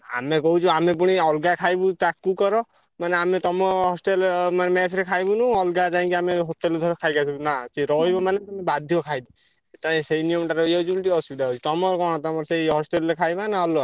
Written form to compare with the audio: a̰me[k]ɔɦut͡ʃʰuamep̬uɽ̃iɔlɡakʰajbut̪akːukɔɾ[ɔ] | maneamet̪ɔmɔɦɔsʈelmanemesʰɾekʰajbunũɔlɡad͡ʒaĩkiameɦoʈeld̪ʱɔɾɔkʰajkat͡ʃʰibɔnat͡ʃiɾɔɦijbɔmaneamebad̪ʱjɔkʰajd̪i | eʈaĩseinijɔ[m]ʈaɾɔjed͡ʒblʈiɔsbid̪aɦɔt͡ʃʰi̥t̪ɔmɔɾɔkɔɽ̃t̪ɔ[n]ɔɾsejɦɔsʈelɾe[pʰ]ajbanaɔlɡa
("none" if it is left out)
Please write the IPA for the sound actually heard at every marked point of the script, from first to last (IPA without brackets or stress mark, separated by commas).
k, ɔ, m, m, kʰ